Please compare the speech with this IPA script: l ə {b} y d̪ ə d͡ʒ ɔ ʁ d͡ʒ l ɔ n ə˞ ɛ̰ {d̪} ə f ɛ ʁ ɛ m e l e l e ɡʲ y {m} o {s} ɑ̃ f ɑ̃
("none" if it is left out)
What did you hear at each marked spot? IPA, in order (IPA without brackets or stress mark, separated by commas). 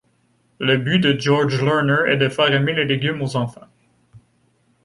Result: b, d̪, m, z